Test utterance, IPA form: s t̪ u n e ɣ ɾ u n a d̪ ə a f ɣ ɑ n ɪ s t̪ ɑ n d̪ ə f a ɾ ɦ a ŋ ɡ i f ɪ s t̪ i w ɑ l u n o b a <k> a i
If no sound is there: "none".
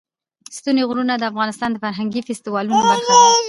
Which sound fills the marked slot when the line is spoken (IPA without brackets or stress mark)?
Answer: x